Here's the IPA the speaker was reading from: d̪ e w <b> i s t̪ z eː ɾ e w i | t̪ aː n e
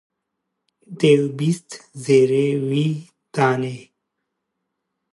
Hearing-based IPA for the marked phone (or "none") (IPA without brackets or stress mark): b